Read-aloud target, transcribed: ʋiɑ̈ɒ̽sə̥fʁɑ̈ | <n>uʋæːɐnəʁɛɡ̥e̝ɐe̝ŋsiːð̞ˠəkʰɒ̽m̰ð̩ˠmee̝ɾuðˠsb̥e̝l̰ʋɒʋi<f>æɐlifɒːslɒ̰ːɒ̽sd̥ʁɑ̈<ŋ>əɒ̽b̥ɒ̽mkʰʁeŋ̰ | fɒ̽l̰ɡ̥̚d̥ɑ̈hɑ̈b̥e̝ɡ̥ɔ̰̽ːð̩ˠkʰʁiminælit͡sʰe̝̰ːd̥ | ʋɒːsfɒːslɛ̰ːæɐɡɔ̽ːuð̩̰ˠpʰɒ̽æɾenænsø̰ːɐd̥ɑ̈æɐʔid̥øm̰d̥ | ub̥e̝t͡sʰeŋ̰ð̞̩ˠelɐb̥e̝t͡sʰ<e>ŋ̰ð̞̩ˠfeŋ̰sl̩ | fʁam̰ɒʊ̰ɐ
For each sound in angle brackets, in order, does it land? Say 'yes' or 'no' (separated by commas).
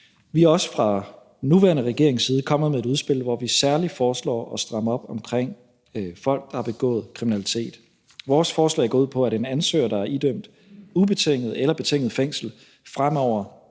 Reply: yes, no, no, yes